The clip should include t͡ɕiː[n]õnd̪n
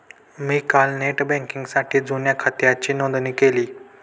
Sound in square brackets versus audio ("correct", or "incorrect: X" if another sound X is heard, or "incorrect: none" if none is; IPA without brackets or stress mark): correct